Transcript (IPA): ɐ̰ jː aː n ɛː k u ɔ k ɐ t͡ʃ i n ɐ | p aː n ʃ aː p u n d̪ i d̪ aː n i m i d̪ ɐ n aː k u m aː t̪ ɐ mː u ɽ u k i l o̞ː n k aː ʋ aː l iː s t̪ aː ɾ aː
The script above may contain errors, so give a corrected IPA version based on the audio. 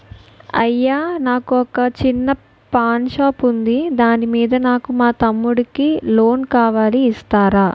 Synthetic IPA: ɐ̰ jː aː n aː k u ɔ k ɐ t͡ʃ i nː ɐ | p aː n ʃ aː p u n d̪ i d̪ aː n i m iː d̪ ɐ n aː k u m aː t̪ ɐ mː u ɽ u k i l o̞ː n k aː ʋ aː l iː s t̪ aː ɾ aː